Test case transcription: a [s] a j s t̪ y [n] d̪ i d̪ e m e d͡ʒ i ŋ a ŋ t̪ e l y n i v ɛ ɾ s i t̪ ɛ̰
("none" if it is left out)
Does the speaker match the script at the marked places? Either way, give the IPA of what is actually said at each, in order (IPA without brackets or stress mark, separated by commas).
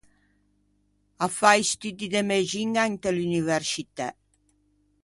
f, none